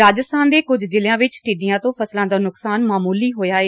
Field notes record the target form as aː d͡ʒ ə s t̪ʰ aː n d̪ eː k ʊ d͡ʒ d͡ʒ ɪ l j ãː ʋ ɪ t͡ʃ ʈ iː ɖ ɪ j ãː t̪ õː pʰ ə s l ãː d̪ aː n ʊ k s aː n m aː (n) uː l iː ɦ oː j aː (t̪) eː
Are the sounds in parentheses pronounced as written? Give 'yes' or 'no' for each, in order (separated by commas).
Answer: no, no